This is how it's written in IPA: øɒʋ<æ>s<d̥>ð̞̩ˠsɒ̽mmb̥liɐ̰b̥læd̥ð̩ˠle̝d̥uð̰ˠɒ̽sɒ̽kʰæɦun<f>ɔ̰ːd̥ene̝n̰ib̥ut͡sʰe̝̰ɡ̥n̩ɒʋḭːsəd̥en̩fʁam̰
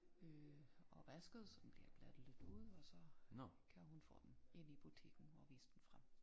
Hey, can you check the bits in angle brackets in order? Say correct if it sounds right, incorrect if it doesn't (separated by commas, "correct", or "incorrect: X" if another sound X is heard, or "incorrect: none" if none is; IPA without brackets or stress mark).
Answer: correct, incorrect: ɡ̥, correct